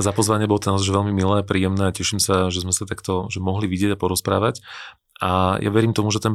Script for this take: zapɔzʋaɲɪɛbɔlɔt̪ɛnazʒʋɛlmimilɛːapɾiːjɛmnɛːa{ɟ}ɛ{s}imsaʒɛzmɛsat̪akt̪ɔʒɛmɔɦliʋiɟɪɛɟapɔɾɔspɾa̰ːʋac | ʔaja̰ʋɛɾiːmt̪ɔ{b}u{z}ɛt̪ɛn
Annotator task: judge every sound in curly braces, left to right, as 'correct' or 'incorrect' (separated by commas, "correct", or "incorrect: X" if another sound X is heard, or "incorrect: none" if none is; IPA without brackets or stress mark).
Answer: incorrect: c, incorrect: ʃ, incorrect: m, incorrect: ʒ